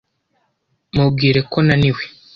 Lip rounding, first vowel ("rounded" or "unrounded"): rounded